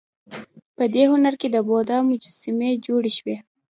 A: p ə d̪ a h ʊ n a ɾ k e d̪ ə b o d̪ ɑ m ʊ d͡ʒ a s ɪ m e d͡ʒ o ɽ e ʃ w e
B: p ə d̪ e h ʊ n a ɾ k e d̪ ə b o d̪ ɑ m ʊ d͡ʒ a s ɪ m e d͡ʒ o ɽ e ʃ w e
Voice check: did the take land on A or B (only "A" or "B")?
B